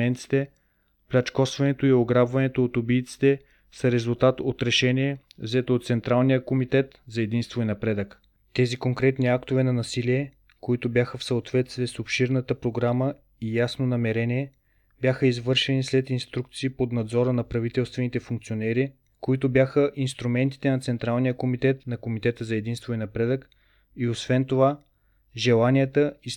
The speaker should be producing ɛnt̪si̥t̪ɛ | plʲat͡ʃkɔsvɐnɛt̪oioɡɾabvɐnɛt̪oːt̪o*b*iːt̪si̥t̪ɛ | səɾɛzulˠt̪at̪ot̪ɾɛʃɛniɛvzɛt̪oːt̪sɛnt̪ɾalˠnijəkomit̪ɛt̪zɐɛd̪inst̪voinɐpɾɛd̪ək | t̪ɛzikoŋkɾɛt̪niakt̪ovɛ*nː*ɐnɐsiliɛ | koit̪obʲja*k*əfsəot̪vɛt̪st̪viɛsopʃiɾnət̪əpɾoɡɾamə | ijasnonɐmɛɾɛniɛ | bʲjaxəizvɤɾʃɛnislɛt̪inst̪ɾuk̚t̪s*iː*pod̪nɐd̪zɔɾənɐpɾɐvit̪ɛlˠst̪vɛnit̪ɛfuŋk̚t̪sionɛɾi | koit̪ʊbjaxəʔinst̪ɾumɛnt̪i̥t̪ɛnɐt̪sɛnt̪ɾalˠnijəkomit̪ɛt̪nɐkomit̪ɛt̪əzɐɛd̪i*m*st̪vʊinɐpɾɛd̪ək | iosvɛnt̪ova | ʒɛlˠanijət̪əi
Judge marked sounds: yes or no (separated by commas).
yes, no, no, yes, no